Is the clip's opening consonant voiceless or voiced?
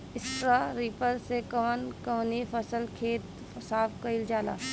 voiceless